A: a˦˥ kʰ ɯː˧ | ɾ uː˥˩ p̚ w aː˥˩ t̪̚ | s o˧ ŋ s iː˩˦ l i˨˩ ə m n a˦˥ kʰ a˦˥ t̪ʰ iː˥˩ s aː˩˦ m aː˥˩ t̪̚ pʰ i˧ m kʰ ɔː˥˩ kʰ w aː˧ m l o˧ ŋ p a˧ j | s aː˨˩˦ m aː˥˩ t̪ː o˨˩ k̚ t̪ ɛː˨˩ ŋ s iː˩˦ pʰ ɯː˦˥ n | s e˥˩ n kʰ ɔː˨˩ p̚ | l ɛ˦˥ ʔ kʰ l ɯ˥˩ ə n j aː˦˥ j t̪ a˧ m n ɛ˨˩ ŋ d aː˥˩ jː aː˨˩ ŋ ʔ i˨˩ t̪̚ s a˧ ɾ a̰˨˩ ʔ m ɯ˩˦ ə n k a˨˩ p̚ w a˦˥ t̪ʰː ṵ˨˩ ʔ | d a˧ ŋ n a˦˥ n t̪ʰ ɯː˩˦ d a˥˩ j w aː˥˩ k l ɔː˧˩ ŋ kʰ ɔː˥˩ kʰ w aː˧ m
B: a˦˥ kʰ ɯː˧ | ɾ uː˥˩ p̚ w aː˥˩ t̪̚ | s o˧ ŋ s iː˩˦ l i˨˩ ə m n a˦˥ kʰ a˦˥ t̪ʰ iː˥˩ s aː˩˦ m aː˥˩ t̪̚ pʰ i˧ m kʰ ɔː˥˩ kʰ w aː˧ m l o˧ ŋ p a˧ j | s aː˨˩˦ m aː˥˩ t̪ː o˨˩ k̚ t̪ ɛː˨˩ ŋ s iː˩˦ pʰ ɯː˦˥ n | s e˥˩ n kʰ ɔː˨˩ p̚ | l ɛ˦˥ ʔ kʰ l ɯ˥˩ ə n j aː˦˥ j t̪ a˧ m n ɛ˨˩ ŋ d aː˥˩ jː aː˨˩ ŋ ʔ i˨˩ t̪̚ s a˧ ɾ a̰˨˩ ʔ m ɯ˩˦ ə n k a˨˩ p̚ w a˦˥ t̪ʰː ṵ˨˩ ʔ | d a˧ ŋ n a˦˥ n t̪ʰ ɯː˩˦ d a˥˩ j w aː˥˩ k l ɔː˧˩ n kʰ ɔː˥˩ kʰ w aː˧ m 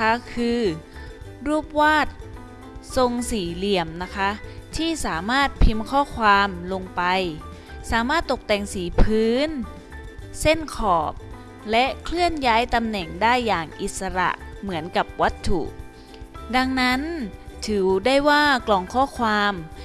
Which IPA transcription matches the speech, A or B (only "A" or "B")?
A